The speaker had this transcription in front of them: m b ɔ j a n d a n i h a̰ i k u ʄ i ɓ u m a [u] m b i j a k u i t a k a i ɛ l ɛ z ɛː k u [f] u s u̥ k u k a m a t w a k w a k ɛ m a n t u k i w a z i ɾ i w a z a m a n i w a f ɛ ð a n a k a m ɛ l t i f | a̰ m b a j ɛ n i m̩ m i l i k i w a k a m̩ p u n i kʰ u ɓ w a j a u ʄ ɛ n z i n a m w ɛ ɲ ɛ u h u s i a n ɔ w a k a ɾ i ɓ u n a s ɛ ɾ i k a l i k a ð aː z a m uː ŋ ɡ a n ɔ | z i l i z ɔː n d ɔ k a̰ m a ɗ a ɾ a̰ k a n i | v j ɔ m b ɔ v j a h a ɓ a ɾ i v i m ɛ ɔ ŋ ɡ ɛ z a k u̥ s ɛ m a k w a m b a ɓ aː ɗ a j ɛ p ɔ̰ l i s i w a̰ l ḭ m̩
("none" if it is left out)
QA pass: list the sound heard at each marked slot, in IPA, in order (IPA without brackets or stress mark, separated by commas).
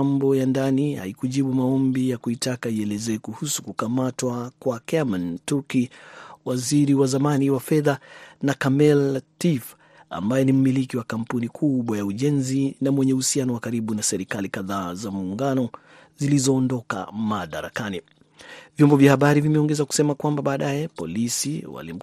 ɔ, h